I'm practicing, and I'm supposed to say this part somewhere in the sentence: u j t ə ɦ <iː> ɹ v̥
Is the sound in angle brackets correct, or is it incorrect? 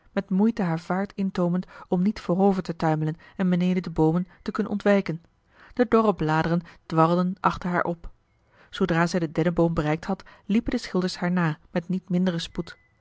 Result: incorrect